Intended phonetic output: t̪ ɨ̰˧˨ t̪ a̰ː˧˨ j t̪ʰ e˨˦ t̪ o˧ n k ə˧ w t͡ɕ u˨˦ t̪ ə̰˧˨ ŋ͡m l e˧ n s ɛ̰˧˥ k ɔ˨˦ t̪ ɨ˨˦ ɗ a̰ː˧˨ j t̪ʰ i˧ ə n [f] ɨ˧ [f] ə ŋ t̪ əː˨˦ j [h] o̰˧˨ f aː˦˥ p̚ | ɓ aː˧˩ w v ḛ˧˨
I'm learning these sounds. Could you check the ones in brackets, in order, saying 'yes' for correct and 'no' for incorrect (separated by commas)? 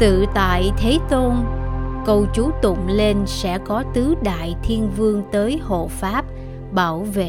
no, no, yes